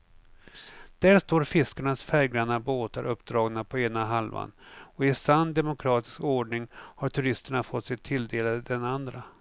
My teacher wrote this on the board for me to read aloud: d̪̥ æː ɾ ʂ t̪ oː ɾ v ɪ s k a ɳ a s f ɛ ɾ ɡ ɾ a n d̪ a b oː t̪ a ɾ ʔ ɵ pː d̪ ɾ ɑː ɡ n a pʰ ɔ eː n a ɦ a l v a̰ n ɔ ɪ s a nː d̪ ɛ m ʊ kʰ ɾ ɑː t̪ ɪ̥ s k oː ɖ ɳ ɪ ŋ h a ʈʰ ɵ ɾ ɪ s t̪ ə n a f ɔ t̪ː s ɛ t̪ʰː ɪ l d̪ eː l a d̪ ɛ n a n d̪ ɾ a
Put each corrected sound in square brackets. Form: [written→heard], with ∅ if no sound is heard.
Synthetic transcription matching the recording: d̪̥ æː ɾ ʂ t̪ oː ɾ [v→f] ɪ s k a ɳ a s f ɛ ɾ ɡ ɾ a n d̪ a b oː t̪ a ɾ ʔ ɵ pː d̪ ɾ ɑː ɡ n a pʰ ɔ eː n a ɦ a l v a̰ n ɔ ɪ s a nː d̪ ɛ m ʊ kʰ ɾ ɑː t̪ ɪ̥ s k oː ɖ ɳ ɪ ŋ h a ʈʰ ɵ ɾ ɪ s t̪ ə [n→ɳ] a f ɔ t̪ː s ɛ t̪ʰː ɪ l d̪ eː l a d̪ ɛ n a n d̪ ɾ a

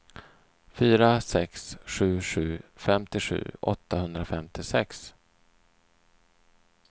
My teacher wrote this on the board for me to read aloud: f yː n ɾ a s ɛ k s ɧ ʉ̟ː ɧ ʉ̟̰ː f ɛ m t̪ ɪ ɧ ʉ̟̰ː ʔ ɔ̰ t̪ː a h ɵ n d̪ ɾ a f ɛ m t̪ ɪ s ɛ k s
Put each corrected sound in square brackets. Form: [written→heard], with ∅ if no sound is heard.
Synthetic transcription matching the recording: f yː [n→∅] ɾ a s ɛ k s ɧ ʉ̟ː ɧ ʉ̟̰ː f ɛ m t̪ ɪ ɧ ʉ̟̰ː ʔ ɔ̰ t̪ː a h ɵ n d̪ ɾ a f ɛ m t̪ ɪ s ɛ k s

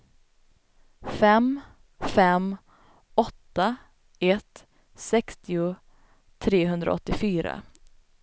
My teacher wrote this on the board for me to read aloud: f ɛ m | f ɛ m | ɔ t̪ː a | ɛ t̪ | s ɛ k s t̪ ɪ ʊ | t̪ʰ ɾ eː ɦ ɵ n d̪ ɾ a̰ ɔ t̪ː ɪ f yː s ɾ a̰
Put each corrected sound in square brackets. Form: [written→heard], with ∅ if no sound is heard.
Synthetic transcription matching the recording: f ɛ m | f ɛ m | ɔ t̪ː a | ɛ t̪ | s ɛ k s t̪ ɪ ʊ | t̪ʰ ɾ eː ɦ ɵ n d̪ ɾ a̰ ɔ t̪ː ɪ f yː [s→∅] ɾ a̰

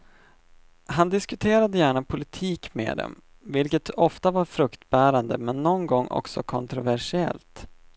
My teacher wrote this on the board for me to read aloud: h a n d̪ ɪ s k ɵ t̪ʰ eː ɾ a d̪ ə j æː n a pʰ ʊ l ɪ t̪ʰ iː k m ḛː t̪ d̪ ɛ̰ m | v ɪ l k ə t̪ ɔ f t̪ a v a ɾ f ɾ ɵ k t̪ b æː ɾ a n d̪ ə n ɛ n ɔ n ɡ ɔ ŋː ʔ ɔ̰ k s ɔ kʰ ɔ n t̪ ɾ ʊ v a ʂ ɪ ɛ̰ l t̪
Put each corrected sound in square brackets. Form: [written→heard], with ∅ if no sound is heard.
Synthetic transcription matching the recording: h a n d̪ ɪ s k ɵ t̪ʰ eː ɾ a d̪ ə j æː [n→ɳ] a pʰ ʊ l ɪ t̪ʰ iː k m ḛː [t̪→∅] d̪ ɛ̰ m | v ɪ l k ə t̪ ɔ f t̪ a v a ɾ f ɾ ɵ k t̪ b æː ɾ a n d̪ ə [n→m] ɛ [n→nː] ɔ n ɡ ɔ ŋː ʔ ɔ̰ k s ɔ kʰ ɔ n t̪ ɾ ʊ v [a→æ] ʂ ɪ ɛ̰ l t̪

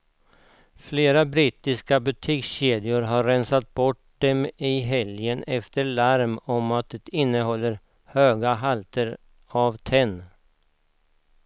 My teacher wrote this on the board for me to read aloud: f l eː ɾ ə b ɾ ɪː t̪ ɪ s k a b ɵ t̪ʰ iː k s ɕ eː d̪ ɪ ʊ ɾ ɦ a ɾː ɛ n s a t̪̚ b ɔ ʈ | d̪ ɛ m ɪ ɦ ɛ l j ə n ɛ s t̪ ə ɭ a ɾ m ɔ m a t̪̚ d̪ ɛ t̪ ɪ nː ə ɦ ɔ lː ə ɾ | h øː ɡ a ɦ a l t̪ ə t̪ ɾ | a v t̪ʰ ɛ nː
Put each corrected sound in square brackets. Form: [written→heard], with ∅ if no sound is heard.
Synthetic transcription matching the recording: f l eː ɾ [ə→a] b ɾ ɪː t̪ ɪ s k a b ɵ t̪ʰ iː k s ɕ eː d̪ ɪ ʊ ɾ ɦ a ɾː ɛ n s a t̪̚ b ɔ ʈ | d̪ ɛ m ɪ ɦ ɛ l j ə n ɛ [s→f] t̪ ə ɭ a ɾ m ɔ m a t̪̚ d̪ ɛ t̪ ɪ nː ə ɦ ɔ lː ə ɾ | h øː ɡ a ɦ a l t̪ ə [t̪→∅] ɾ | a v t̪ʰ ɛ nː

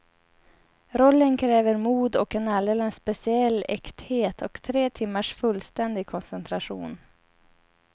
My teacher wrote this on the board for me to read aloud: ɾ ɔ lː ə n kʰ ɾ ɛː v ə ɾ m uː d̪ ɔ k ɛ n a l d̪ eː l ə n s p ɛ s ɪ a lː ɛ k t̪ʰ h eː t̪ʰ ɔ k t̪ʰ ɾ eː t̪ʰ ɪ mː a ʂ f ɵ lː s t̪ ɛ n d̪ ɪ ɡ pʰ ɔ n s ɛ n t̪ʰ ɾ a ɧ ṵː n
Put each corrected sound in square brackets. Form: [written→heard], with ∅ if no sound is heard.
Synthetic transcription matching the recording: ɾ ɔ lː ə n kʰ ɾ ɛː v ə ɾ m uː d̪ ɔ k ɛ n a l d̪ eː l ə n s p ɛ s ɪ [a→ɛ] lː ɛ k [t̪ʰ→t̪] h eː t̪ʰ ɔ k t̪ʰ ɾ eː t̪ʰ ɪ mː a ʂ f ɵ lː s t̪ ɛ n d̪ ɪ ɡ [pʰ→kʰ] ɔ n s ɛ n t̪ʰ ɾ a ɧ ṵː n

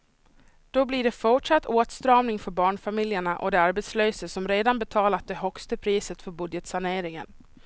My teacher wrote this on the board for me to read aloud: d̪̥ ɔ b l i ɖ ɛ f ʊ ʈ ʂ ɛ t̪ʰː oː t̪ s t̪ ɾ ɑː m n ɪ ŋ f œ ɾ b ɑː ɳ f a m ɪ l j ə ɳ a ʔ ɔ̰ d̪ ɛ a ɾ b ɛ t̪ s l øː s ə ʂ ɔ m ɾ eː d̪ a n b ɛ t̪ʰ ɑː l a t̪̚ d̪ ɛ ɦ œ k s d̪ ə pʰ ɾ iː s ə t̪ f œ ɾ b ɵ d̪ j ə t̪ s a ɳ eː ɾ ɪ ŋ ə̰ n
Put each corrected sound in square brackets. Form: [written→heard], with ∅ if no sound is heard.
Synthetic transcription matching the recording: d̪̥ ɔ b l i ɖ ɛ f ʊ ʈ ʂ [ɛ→a] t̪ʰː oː t̪ s t̪ ɾ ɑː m n ɪ ŋ f œ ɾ b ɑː ɳ f a m ɪ l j ə ɳ a ʔ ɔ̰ d̪ ɛ a ɾ b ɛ t̪ s l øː s ə [ʂ→s] ɔ m ɾ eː d̪ a n b ɛ t̪ʰ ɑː l a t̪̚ d̪ ɛ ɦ œ k s [d̪→t̪] ə pʰ ɾ iː s ə t̪ f œ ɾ b ɵ d̪ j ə t̪ s a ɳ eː ɾ ɪ ŋ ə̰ n

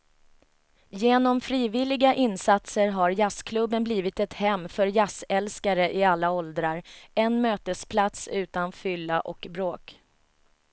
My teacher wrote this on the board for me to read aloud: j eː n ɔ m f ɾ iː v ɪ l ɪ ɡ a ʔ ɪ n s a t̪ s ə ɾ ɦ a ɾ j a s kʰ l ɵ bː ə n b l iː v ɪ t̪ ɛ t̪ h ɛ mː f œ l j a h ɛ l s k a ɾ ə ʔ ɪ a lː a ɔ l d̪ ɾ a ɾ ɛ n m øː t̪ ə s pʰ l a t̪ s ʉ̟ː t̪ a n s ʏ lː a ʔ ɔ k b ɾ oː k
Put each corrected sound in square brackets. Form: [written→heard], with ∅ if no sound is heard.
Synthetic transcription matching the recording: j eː n ɔ m f ɾ iː v ɪ l ɪ ɡ a ʔ ɪ n s a t̪ s ə ɾ ɦ a ɾ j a s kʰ l ɵ bː ə n b l iː v ɪ t̪ ɛ t̪ h ɛ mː f œ [l→ɾ] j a [h→s] ɛ l s k a ɾ ə ʔ ɪ a lː a ɔ l d̪ ɾ a ɾ ɛ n m øː t̪ ə s pʰ l a t̪ s ʉ̟ː t̪ a n [s→f] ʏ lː a ʔ ɔ k b ɾ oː k

